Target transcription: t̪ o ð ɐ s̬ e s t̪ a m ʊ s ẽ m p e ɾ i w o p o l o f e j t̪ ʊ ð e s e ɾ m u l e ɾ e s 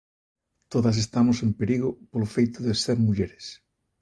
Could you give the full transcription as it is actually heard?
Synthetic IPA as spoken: t̪ o ð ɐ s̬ e s t̪ a m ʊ s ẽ m p e ɾ i ɣ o p o l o f e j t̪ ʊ ð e s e ɾ m u ʎ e ɾ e s